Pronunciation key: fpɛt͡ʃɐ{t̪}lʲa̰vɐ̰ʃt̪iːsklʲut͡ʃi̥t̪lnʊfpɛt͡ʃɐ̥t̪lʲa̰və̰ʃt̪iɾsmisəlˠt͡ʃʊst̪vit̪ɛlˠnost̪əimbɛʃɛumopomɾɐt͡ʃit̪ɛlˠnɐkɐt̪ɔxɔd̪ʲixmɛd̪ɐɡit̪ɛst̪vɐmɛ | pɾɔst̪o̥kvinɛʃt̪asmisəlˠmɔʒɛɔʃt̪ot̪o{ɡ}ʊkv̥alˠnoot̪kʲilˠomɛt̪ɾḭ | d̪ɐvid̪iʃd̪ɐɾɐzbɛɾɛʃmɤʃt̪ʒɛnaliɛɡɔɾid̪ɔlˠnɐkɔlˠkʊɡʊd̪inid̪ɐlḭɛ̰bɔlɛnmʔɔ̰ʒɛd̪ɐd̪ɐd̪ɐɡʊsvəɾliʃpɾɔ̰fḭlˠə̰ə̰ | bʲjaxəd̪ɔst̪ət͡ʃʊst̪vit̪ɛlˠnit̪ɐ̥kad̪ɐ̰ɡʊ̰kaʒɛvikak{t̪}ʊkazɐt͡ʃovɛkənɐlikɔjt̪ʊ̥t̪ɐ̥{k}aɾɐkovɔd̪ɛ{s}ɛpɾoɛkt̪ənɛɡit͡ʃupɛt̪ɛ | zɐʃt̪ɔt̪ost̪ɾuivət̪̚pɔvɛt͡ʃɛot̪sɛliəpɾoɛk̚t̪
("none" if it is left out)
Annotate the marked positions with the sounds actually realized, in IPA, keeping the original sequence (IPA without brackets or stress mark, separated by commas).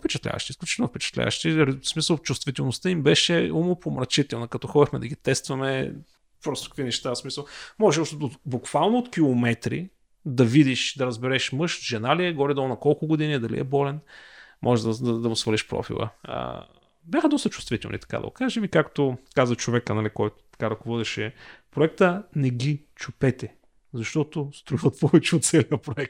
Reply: t̪, b, t̪, k, ʃ